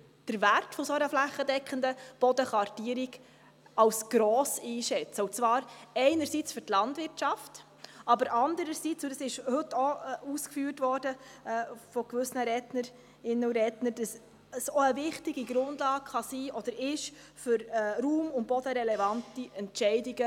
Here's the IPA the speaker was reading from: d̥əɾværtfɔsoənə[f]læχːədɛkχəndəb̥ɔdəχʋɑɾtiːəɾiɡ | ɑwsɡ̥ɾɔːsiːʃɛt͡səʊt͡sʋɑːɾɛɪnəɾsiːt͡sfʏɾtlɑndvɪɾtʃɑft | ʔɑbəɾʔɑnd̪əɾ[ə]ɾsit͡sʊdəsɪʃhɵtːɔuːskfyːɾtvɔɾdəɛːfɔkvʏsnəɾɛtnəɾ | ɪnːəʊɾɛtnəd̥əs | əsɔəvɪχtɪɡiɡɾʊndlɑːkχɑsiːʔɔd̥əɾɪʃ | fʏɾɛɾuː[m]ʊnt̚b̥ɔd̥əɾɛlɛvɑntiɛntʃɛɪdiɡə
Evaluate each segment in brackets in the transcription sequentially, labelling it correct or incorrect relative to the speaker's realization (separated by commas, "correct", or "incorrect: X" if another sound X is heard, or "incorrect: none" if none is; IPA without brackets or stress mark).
correct, correct, correct